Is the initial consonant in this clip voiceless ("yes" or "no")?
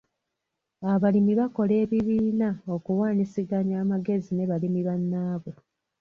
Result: no